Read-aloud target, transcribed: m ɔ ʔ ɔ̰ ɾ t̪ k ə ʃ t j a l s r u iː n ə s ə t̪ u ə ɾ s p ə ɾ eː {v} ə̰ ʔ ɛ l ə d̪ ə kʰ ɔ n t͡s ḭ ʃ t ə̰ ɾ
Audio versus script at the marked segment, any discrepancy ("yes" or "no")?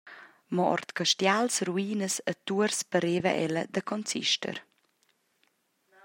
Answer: no